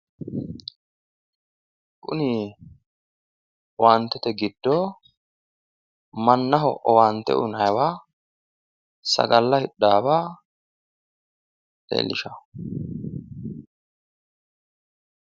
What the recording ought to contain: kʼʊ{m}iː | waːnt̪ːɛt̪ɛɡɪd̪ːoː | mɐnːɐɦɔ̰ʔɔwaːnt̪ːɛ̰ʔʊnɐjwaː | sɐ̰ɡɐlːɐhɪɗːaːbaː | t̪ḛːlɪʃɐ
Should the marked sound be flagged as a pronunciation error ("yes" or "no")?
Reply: yes